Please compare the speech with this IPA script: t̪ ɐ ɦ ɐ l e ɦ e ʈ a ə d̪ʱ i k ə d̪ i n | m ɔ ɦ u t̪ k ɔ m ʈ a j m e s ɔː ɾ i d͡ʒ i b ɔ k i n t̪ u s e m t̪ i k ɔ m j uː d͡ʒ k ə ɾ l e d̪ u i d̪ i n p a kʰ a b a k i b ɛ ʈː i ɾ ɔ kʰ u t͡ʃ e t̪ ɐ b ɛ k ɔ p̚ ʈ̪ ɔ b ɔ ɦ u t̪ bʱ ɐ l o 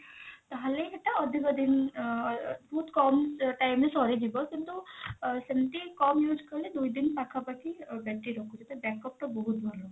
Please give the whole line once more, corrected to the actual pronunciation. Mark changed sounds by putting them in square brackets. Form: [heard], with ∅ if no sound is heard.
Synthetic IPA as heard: t̪ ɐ ɦ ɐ l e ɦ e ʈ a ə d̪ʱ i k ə d̪ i n | [b] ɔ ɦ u t̪ k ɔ m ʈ a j m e s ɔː ɾ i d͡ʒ i b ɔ k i n t̪ u s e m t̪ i k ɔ m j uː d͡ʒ k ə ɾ l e d̪ u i d̪ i n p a kʰ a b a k i b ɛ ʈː i ɾ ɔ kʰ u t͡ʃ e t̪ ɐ b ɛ k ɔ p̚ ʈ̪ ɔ b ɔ ɦ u t̪ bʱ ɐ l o

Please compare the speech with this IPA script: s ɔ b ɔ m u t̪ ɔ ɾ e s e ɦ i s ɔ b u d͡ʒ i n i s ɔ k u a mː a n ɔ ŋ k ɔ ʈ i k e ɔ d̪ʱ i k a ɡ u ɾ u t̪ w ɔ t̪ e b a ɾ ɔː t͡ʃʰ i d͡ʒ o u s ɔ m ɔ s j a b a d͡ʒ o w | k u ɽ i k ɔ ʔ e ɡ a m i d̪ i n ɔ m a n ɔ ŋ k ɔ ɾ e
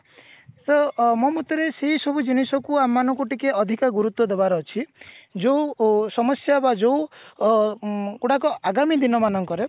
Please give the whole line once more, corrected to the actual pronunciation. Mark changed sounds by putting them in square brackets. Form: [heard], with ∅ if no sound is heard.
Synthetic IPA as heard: s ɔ [m] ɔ m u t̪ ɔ ɾ e s e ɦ i s ɔ b u d͡ʒ i n i s ɔ k u a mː a n ɔ ŋ k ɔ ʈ i k e ɔ d̪ʱ i k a ɡ u ɾ u t̪ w ɔ [d̪] e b a ɾ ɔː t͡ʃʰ i d͡ʒ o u s ɔ m ɔ s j a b a d͡ʒ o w | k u ɽ [a] k ɔ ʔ [a] ɡ a m i d̪ i n ɔ m a n ɔ ŋ k ɔ ɾ e

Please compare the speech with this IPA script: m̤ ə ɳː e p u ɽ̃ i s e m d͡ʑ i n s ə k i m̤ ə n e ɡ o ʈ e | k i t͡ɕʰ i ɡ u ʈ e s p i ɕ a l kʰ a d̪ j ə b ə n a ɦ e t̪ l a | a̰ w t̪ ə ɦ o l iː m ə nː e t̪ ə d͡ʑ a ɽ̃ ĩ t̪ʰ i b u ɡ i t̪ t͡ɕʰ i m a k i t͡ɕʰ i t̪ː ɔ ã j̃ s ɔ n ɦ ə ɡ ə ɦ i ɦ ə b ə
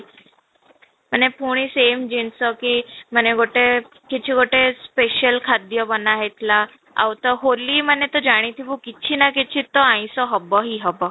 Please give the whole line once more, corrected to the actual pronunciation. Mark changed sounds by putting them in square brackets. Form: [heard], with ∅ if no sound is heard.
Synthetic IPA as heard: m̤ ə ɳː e p u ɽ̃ i s e m d͡ʑ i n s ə k i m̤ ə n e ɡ o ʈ e | k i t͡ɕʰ i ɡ [o] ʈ e s p [e] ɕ [ə] l kʰ a d̪ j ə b ə n a ɦ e t̪ l a | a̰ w t̪ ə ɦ o l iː m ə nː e t̪ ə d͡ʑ a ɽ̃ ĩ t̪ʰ i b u [k] i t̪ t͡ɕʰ i [n] a k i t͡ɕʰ i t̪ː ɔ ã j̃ s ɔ [∅] ɦ ə [b] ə ɦ i ɦ ə b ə

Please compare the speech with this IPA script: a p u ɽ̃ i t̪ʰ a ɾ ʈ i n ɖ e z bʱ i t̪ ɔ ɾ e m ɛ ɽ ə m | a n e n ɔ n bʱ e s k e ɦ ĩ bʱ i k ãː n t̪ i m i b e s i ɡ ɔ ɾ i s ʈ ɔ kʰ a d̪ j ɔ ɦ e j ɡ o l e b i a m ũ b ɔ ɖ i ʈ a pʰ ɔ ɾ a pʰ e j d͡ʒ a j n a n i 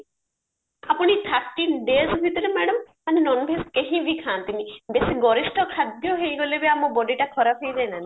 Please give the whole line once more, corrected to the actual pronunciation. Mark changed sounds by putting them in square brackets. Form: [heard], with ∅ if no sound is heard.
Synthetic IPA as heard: a p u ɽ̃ i t̪ʰ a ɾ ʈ i n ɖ e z bʱ i t̪ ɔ ɾ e m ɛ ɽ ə m | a n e n ɔ n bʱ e s k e ɦ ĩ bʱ i [kʰ] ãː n t̪ i m i b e s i ɡ ɔ ɾ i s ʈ ɔ kʰ a d̪ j ɔ ɦ e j ɡ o l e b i a m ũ b ɔ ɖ i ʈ a [kʰ] ɔ ɾ a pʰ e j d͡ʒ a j n a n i

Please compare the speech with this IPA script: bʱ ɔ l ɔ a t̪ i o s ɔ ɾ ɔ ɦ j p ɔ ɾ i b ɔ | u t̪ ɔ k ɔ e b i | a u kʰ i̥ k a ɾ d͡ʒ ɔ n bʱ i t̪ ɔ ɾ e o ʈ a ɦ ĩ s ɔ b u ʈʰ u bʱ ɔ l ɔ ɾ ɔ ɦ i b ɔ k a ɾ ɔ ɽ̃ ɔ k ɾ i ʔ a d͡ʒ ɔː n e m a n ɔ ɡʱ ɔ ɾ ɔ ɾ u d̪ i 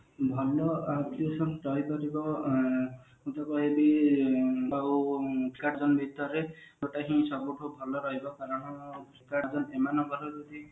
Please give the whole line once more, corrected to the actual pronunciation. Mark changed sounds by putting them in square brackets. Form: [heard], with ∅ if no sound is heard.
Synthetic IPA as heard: bʱ ɔ l ɔ a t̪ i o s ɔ ɾ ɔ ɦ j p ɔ ɾ i b ɔ | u t̪ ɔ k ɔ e b i | a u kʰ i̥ k a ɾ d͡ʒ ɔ n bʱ i t̪ ɔ ɾ e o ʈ a ɦ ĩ s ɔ b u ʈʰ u bʱ ɔ l ɔ ɾ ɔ ɦ i b ɔ k a ɾ ɔ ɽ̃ ɔ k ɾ i [k] a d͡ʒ [ɔ] n e m a n ɔ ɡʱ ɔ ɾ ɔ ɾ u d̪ i

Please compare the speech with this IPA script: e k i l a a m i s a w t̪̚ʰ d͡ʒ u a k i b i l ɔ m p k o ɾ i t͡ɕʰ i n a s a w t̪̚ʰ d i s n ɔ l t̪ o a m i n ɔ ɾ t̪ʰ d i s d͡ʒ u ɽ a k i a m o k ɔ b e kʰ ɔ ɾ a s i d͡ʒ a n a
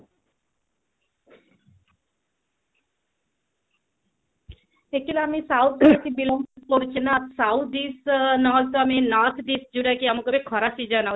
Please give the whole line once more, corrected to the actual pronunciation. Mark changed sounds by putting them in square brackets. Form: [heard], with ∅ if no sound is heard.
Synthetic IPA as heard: e k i l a a m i s a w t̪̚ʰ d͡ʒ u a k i b i l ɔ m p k o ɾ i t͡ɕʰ i n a s a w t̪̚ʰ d i s n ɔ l t̪ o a m i n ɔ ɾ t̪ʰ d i s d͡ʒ u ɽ a k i a m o k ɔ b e kʰ ɔ ɾ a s i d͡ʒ a n a

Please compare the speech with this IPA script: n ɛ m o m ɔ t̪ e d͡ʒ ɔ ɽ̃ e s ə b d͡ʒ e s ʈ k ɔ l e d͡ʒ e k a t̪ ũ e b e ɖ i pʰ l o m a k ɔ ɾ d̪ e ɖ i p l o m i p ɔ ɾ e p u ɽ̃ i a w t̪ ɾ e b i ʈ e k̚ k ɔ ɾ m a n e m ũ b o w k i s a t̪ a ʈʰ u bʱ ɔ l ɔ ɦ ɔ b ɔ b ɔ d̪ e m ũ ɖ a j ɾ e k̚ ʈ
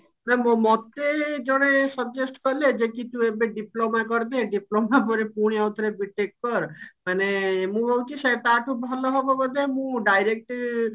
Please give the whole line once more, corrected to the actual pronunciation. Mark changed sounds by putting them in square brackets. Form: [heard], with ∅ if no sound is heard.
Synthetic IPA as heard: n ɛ m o m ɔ t̪ e d͡ʒ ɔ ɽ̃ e s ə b d͡ʒ e s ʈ k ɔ l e d͡ʒ e k [i] t̪ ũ e b e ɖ i [p] l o m a k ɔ ɾ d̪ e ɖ i p l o m [a] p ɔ ɾ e p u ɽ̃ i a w t̪ ɾ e b i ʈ e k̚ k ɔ ɾ m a n e m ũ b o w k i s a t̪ a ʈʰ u bʱ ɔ l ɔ ɦ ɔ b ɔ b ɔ d̪ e m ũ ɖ a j ɾ e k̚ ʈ

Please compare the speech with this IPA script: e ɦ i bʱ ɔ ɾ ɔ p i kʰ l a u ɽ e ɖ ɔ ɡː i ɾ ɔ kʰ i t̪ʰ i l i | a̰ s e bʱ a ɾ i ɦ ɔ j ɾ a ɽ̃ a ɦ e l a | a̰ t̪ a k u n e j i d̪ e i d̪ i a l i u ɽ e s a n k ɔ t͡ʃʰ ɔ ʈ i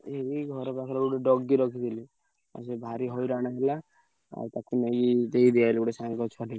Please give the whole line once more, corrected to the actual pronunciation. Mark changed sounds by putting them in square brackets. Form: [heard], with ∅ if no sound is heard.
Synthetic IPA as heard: e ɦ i [ɡʱ] ɔ ɾ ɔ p [a] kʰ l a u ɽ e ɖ ɔ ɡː i ɾ ɔ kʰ i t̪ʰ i l i | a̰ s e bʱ a ɾ i ɦ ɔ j ɾ a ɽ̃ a ɦ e l a | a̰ t̪ a k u n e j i d̪ e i d̪ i a l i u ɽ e s a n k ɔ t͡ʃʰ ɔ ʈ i

